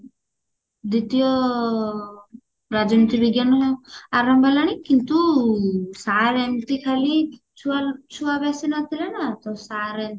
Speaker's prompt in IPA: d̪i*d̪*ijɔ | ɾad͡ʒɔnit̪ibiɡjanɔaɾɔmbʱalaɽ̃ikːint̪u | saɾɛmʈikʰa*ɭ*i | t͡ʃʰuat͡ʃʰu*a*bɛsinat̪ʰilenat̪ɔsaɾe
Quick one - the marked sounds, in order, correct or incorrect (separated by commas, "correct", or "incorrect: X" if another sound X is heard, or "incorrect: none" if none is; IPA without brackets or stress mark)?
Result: incorrect: t̪, incorrect: l, correct